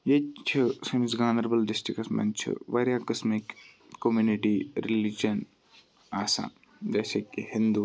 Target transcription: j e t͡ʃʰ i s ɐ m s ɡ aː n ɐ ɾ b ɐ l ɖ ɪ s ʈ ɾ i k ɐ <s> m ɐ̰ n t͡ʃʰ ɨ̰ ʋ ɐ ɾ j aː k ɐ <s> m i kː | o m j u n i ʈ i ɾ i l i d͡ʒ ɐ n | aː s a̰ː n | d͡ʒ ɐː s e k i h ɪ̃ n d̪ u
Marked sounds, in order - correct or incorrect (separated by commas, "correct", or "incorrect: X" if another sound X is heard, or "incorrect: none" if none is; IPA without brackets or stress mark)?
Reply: correct, correct